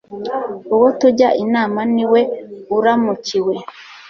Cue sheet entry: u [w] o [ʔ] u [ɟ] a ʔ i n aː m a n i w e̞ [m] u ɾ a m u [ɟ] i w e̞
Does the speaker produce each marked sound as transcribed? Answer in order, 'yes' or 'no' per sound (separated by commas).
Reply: yes, no, yes, no, no